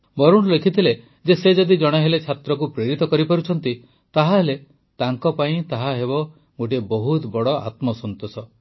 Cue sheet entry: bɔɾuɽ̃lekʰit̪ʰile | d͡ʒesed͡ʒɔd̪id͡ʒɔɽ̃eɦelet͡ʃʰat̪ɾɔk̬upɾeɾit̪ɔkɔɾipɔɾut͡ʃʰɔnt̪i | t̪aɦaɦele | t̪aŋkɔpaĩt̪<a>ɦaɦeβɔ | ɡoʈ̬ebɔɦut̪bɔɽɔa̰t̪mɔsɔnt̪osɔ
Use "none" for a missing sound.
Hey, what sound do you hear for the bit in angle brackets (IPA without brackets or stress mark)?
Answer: a